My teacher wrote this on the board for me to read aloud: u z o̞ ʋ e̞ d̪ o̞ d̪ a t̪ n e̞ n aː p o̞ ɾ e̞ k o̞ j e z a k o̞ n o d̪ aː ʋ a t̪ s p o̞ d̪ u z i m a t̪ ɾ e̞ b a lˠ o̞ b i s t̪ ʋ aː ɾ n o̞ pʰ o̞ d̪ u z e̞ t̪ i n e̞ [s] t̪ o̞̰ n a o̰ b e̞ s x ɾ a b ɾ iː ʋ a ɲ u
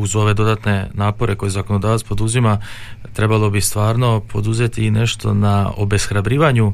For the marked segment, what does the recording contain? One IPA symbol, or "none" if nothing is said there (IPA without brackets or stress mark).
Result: ʃ